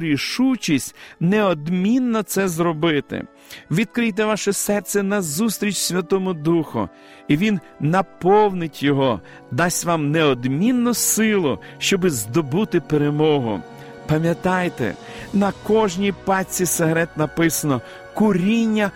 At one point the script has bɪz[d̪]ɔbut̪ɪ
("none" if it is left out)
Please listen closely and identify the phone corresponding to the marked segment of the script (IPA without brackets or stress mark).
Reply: d̪